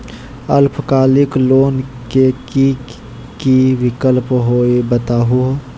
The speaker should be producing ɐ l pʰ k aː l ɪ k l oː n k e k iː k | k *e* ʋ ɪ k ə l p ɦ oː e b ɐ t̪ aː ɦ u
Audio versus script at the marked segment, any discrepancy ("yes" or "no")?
yes